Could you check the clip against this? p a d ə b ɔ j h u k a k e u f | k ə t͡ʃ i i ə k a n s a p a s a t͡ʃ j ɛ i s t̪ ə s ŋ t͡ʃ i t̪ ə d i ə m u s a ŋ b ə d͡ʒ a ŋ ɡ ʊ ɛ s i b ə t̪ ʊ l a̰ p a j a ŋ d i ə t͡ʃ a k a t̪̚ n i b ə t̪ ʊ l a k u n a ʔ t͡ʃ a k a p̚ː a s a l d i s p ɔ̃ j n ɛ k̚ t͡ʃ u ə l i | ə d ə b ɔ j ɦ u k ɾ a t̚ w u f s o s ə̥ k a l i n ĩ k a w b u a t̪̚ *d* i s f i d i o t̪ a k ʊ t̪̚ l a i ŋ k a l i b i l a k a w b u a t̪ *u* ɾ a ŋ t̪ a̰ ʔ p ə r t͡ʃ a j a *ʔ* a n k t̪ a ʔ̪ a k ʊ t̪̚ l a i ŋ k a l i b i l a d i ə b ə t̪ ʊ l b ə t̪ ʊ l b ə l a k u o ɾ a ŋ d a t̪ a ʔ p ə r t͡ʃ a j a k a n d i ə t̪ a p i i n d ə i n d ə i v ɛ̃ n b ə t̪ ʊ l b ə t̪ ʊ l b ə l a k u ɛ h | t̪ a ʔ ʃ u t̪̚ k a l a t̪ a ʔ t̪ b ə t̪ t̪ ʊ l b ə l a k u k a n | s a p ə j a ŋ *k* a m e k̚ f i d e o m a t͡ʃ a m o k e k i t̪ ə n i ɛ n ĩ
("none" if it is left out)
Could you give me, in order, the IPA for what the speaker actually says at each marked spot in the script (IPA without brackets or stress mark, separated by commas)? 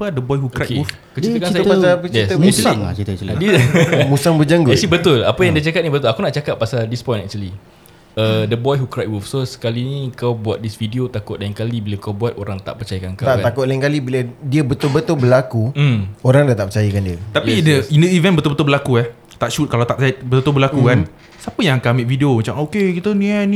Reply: d, o, k, k